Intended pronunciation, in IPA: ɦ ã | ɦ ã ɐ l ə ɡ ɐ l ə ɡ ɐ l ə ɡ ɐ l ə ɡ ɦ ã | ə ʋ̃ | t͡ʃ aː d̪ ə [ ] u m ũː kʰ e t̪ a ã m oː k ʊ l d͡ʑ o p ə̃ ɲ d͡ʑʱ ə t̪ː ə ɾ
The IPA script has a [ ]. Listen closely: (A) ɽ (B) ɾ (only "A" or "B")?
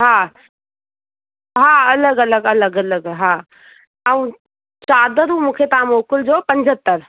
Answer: B